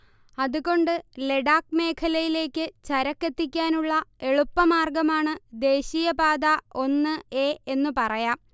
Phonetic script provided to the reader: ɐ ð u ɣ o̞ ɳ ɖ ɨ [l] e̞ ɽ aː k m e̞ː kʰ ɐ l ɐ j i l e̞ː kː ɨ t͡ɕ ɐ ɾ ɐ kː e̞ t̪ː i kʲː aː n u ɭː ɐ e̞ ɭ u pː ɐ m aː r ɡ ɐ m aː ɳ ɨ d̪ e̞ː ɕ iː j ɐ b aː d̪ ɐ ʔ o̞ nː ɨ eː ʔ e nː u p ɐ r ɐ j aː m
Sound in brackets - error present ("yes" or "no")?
no